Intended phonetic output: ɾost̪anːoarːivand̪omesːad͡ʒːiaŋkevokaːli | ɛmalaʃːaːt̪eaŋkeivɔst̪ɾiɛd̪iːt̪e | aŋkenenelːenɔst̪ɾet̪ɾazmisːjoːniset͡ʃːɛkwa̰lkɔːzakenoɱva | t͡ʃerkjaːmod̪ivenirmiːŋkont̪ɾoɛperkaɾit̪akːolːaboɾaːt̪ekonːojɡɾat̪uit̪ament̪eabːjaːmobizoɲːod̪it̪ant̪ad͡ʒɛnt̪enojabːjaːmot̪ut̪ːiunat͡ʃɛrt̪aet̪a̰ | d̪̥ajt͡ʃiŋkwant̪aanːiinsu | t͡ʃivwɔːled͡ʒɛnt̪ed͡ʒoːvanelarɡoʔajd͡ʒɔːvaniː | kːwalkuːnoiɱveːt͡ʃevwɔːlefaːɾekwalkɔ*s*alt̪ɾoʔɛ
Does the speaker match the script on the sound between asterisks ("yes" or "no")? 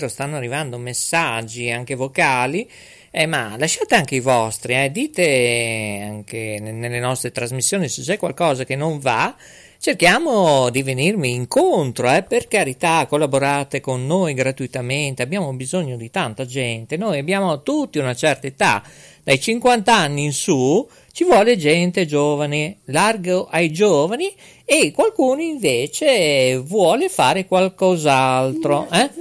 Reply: no